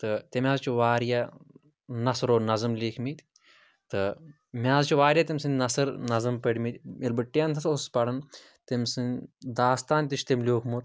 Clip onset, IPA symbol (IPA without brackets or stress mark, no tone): t̪